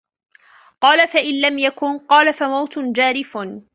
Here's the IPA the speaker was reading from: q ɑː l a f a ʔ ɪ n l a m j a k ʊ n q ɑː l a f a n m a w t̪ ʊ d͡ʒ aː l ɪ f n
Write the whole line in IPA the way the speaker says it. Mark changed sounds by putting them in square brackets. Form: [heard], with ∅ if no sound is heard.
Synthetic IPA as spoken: q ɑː l a f a ʔ ɪ n l a m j a k ʊ n q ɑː l a f a [∅] m a w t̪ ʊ d͡ʒ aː [ɾ] ɪ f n